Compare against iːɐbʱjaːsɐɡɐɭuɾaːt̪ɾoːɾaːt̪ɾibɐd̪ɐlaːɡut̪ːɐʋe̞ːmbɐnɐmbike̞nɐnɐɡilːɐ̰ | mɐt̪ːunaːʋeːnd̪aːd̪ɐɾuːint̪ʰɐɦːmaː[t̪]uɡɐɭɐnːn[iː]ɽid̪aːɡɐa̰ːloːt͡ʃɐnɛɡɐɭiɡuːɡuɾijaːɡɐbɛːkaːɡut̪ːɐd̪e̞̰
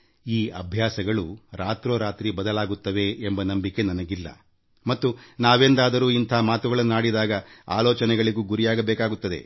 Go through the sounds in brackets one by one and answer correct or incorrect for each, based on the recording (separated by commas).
correct, incorrect